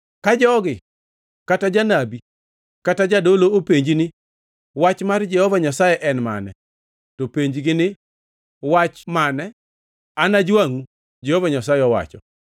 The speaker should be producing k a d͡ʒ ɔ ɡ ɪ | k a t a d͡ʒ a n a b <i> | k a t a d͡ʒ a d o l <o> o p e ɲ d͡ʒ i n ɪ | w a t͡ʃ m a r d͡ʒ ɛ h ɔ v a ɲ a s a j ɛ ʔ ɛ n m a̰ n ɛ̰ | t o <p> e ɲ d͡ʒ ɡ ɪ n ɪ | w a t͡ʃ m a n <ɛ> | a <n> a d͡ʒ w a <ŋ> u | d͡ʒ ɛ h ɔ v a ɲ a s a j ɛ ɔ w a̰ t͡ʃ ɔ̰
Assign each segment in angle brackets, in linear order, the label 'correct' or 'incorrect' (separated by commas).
correct, correct, correct, correct, correct, correct